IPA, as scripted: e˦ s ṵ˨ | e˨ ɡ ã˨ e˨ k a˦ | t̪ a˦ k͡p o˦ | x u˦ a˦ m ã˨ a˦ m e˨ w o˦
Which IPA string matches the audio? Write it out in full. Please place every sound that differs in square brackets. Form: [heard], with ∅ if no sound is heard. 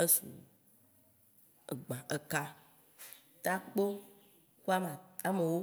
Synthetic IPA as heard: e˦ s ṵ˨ | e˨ [ɡ͡b] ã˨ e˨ k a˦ | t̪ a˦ k͡p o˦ | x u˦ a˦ m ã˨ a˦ m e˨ w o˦